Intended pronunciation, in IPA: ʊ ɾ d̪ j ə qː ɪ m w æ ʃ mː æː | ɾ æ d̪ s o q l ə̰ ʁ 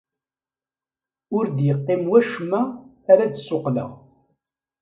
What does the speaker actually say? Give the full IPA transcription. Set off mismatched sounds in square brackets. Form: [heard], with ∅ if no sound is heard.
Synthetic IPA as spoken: ʊ ɾ d̪ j ə qː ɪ m w æ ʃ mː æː | ɾ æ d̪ s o q l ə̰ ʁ